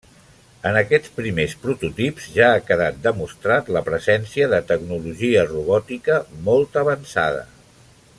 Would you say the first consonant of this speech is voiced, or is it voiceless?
voiced